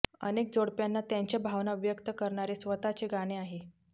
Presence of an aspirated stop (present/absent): absent